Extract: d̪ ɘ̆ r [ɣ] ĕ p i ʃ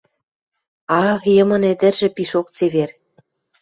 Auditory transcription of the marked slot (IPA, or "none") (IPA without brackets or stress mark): ʒ